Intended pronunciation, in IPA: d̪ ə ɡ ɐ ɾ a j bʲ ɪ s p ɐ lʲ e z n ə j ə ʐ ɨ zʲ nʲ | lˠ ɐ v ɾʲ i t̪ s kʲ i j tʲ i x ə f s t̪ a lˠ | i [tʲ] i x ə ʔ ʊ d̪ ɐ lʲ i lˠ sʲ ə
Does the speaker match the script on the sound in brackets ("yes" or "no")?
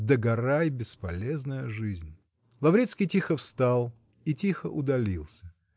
yes